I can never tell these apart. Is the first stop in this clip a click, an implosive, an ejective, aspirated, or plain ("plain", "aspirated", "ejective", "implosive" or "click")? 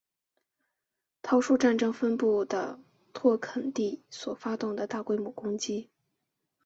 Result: aspirated